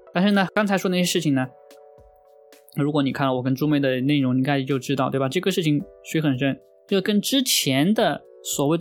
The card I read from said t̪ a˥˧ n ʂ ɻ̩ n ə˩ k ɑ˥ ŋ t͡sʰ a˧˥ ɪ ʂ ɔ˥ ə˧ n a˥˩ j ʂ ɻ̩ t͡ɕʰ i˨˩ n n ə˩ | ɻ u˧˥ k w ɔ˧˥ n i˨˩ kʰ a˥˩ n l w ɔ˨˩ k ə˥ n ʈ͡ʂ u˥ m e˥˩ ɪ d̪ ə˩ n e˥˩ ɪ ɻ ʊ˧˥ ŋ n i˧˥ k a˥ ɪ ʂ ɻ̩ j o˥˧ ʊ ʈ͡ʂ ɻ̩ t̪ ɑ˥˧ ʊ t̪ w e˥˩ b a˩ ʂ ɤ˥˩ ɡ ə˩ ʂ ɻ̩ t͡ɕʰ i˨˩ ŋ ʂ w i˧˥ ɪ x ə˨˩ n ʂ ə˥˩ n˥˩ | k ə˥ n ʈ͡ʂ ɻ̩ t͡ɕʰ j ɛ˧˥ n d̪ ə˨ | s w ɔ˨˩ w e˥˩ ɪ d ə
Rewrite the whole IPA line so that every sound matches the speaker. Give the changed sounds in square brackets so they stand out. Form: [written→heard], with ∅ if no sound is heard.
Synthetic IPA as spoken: t̪ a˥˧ n ʂ ɻ̩ n ə˩ k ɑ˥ ŋ t͡sʰ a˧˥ ɪ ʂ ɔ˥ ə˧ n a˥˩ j ʂ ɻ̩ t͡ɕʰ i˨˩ [n→ŋ] n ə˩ | ɻ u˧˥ k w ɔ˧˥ n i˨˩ kʰ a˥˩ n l w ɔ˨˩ k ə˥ n ʈ͡ʂ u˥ m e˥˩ ɪ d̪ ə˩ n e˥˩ ɪ ɻ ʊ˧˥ ŋ n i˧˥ k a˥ ɪ ʂ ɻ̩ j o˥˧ ʊ ʈ͡ʂ ɻ̩ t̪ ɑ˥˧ ʊ t̪ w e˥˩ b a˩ [ʂ→ʈ͡ʂ] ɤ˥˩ ɡ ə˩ ʂ ɻ̩ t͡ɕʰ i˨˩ ŋ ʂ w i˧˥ ɪ x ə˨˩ n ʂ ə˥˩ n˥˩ | k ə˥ n ʈ͡ʂ ɻ̩ t͡ɕʰ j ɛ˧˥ n d̪ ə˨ | s w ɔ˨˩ w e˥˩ ɪ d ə